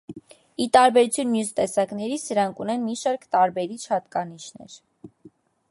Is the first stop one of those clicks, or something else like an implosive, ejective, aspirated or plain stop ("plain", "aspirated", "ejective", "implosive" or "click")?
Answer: plain